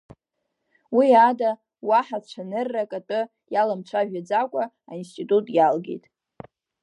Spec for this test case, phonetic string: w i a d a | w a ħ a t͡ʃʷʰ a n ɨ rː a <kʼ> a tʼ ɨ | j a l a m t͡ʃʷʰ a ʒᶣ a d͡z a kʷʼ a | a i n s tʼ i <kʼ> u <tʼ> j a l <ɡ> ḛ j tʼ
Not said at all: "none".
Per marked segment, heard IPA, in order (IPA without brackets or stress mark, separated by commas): kʼ, tʼ, tʼ, ɡ